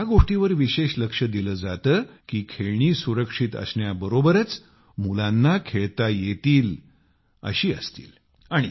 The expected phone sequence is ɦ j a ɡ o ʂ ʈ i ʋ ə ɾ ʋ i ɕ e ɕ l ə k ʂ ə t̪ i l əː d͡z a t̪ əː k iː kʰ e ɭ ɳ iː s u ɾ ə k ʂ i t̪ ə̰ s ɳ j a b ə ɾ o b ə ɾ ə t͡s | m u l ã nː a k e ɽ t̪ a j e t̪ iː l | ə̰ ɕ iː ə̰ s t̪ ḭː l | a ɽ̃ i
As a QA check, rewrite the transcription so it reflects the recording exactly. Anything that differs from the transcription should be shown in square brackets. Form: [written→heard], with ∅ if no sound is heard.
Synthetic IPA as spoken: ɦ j a ɡ o ʂ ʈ i ʋ ə ɾ ʋ i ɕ e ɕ l ə k ʂ ə [t̪→d̪] i l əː d͡z a t̪ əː k iː kʰ e ɭ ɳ iː s u ɾ ə k ʂ i t̪ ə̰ s ɳ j a b ə ɾ o b ə ɾ ə t͡s | m u l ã nː a [k→kʰ] e [ɽ→ɭ] t̪ a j e t̪ iː l | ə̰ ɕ iː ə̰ s t̪ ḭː l | a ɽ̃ i